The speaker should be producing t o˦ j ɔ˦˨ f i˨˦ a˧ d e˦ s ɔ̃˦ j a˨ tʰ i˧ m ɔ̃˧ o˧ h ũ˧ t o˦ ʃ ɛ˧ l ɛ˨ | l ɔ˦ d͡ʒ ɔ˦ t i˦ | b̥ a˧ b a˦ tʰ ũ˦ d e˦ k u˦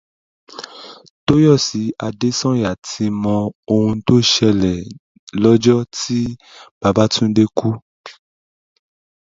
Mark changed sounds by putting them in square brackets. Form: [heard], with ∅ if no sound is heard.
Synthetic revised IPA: t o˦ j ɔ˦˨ [s] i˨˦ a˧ d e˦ s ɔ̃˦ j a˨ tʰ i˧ m ɔ̃˧ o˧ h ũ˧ t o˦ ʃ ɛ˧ l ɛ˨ | l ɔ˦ d͡ʒ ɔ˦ t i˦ | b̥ a˧ b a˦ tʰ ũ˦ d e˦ k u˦